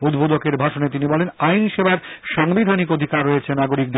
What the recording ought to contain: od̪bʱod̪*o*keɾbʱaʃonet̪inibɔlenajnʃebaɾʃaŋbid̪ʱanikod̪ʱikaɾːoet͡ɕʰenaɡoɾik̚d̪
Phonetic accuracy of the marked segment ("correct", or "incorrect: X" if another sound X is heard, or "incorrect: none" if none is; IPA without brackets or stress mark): correct